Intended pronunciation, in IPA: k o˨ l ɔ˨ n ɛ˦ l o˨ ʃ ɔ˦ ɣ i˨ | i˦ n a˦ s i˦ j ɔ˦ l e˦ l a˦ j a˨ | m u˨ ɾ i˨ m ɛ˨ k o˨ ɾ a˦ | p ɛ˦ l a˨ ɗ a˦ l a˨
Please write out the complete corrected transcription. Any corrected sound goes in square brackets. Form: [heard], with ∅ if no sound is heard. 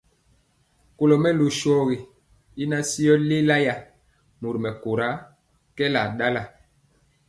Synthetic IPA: k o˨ l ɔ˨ [m] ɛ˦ l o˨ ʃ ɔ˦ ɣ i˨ | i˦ n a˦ s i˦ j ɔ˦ l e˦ l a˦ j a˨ | m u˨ ɾ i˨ m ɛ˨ k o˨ ɾ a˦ | [k] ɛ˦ l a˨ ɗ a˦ l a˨